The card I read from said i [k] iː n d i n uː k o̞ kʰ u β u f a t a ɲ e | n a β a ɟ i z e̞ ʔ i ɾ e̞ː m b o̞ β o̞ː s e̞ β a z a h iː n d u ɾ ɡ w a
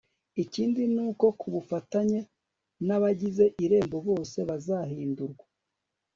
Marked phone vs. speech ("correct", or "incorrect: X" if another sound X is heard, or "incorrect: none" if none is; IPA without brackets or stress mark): incorrect: c